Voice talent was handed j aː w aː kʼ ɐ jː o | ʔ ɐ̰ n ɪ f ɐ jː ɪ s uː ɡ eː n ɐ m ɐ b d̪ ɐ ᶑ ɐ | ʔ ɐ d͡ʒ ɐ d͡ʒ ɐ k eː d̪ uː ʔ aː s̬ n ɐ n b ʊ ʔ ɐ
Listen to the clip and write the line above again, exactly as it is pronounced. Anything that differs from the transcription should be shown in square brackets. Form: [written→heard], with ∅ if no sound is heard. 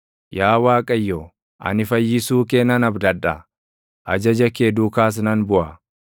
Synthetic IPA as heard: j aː w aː kʼ ɐ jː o | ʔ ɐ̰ n ɪ f ɐ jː ɪ s uː [ɡ→k] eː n ɐ [m→n] ɐ b d̪ ɐ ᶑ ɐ | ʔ ɐ d͡ʒ ɐ d͡ʒ ɐ k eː d̪ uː [ʔ→k] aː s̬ n ɐ n b ʊ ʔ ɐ